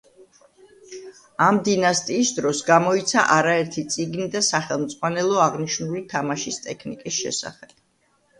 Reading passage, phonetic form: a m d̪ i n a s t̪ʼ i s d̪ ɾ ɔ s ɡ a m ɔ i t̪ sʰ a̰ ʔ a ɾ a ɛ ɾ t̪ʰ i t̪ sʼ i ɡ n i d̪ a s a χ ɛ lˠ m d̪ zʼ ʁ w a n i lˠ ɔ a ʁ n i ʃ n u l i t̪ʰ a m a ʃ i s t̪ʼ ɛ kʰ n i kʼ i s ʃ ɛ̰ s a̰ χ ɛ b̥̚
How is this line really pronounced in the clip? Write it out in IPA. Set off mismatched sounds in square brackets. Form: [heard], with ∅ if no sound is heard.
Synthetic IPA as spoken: a m d̪ i n a s t̪ʼ [iː] s d̪ ɾ ɔ s ɡ a m ɔ i t̪ sʰ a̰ ʔ a ɾ a ɛ ɾ t̪ʰ i t̪ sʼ i ɡ n i d̪ a s a χ ɛ lˠ m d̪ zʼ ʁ w a n [ɛ] lˠ ɔ a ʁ n i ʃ n u l i t̪ʰ a m a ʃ i s t̪ʼ ɛ kʰ n i kʼ i s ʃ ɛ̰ s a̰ χ ɛ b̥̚